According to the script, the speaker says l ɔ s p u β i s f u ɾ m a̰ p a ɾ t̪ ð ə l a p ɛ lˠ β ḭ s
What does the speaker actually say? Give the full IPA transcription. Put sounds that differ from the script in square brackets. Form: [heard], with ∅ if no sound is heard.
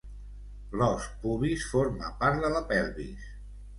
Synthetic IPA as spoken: l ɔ s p u β i s f [o] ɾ m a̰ p a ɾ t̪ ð ə l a p ɛ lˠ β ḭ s